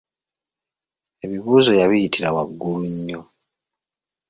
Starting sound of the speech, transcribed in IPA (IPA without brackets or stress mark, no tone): e̞